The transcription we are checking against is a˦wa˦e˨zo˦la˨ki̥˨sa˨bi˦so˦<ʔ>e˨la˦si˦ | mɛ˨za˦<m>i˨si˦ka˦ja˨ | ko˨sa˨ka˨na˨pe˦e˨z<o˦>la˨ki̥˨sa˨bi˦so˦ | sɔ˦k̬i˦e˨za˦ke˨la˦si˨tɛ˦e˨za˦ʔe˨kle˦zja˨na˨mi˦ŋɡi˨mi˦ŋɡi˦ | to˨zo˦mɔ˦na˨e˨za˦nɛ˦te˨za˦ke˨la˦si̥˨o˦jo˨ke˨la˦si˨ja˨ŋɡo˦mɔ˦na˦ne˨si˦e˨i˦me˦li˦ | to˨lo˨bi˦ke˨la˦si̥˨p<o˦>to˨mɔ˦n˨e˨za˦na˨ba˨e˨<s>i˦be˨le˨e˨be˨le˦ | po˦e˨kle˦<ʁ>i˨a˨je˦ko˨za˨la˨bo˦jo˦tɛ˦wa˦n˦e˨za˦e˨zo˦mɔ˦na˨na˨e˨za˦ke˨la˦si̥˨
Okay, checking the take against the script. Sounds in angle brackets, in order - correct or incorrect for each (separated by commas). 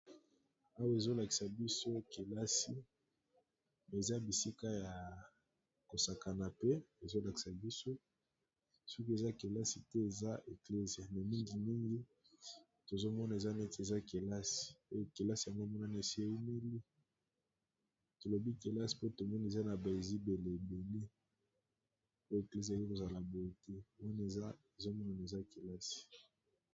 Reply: incorrect, incorrect, correct, correct, incorrect, incorrect